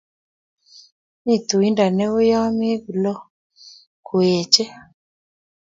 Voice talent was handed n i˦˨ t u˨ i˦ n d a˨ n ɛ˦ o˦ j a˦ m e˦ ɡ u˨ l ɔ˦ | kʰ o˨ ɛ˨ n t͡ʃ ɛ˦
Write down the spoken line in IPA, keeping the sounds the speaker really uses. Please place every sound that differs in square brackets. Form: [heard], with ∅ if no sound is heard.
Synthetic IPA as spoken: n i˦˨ t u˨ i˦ n d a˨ n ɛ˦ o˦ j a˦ m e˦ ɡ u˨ l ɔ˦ | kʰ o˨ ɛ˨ [∅] t͡ʃ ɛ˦